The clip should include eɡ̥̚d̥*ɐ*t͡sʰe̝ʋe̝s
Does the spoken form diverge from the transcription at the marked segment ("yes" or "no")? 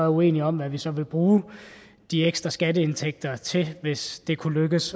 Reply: no